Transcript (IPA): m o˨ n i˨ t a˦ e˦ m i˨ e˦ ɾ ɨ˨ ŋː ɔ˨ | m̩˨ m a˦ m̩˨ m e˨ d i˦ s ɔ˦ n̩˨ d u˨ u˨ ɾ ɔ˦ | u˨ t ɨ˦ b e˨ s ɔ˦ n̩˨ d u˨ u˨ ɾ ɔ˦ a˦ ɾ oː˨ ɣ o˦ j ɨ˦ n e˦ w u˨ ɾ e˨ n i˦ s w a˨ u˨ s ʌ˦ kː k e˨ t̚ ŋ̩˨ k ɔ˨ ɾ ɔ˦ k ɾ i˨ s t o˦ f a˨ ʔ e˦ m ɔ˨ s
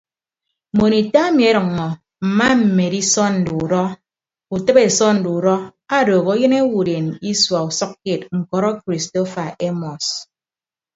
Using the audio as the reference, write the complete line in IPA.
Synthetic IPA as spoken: m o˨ n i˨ t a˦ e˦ m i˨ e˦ ɾ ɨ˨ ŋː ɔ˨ | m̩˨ m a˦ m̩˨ m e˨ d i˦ s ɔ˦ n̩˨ d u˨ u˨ ɾ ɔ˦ | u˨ t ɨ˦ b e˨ s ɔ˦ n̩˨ d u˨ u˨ ɾ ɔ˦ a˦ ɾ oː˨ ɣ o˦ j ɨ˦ n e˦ w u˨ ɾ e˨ n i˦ s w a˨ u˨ s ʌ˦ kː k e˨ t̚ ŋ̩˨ k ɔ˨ ɾ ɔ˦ k ɾ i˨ s t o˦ f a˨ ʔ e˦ m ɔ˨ s